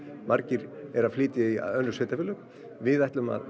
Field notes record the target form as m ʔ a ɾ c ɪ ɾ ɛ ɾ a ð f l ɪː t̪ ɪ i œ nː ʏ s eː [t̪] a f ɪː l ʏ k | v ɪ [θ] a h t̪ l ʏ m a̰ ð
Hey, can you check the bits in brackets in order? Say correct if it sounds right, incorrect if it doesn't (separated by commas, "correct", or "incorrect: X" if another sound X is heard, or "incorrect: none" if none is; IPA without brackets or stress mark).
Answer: correct, incorrect: ð